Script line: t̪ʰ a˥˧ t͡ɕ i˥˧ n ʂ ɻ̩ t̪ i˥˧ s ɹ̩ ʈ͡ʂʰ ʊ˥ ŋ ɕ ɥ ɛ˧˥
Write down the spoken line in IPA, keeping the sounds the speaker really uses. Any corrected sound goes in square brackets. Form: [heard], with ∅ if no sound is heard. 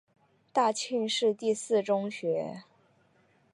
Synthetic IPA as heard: [t̪] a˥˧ [t͡ɕʰ] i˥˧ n ʂ ɻ̩ t̪ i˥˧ s ɹ̩ [ʈ͡ʂ] ʊ˥ ŋ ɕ ɥ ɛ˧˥